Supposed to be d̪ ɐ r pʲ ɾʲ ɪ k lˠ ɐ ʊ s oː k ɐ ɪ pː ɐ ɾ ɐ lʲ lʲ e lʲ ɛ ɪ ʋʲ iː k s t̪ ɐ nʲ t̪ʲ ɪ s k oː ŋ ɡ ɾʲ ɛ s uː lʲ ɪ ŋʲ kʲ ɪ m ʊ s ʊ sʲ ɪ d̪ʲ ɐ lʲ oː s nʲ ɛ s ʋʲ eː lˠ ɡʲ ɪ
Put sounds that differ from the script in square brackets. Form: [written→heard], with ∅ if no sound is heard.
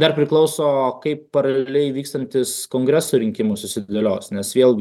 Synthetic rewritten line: d̪ ɐ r pʲ ɾʲ ɪ k lˠ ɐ ʊ s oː k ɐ ɪ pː ɐ ɾ ɐ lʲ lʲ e lʲ ɛ ɪ ʋʲ iː k s t̪ ɐ nʲ t̪ʲ ɪ s k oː ŋ ɡ ɾʲ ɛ s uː [lʲ→ɾʲ] ɪ ŋʲ kʲ ɪ m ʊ s ʊ sʲ ɪ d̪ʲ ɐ lʲ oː s nʲ ɛ s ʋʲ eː lˠ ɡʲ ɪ